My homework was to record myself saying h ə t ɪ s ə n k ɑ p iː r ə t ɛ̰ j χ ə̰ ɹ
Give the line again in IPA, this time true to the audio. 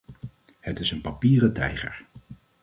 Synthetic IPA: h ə t ɪ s ə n p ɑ p iː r ə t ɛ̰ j χ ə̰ ɹ